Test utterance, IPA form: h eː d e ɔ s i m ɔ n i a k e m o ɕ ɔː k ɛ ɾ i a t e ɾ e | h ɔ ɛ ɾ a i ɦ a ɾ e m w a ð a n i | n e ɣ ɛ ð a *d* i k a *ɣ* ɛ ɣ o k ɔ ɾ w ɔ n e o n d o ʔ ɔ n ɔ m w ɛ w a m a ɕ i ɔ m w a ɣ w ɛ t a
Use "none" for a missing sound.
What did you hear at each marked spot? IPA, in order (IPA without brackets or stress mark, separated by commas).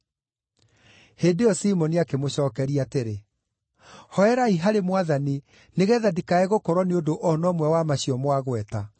d, none